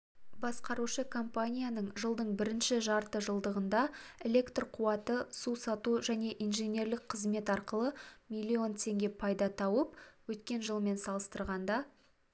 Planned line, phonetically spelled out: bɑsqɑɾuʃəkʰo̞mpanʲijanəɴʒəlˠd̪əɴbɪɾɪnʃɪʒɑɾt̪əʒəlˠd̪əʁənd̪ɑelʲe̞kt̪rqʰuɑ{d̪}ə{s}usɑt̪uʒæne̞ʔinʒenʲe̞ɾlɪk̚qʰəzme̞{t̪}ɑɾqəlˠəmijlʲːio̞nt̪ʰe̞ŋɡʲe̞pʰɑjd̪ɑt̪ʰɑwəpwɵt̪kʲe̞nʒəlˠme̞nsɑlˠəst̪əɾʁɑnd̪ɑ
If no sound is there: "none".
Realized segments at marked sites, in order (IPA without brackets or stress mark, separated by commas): t̪, s, t̪